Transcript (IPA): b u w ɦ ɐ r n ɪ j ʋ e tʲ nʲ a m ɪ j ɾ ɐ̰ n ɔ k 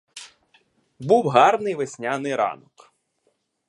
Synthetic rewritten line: b u w ɦ ɑ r n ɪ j ʋ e sʲ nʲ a n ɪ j ɾ ɑ̰ n ɔ k